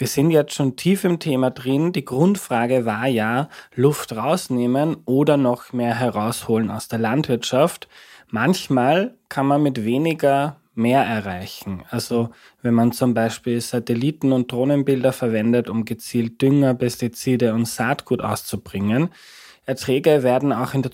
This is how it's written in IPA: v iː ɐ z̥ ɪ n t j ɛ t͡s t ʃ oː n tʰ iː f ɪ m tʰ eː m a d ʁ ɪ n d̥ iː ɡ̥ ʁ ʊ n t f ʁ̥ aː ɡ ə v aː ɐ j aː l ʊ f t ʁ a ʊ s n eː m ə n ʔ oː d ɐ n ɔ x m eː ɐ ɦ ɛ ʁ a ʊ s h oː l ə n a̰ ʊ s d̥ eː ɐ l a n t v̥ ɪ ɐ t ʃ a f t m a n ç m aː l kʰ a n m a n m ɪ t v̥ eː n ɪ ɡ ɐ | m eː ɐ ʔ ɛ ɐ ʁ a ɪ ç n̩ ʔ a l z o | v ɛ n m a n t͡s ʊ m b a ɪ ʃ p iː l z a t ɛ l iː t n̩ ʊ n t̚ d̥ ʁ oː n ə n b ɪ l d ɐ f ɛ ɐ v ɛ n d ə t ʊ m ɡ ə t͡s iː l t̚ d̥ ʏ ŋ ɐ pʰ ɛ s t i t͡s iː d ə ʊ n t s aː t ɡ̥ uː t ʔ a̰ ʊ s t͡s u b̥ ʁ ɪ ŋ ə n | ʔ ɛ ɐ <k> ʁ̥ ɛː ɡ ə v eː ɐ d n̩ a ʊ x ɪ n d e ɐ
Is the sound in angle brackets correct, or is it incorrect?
incorrect